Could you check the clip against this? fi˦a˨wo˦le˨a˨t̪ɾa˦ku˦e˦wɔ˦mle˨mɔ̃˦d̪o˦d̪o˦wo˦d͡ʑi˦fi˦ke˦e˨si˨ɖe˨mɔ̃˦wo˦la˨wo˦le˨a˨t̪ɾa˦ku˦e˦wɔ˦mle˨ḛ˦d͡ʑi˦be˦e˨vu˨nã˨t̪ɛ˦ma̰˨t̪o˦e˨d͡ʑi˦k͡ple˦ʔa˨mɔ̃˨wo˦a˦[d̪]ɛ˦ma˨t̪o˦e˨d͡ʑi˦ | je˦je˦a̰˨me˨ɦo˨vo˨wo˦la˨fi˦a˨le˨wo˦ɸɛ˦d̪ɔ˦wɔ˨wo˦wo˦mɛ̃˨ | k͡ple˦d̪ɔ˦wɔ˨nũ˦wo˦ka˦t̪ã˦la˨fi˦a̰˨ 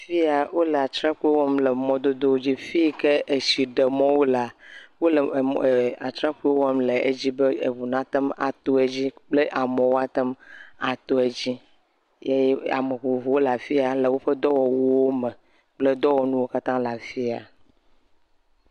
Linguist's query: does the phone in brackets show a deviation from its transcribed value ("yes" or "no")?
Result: yes